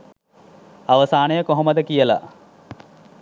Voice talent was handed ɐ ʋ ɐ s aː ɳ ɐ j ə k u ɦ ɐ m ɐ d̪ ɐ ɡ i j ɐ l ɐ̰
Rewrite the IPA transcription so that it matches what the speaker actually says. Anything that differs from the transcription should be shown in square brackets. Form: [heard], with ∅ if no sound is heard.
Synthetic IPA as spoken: ɐ ʋ ɐ s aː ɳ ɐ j [ɐ] k [o] ɦ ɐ m ɐ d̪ ɐ [k] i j ɐ l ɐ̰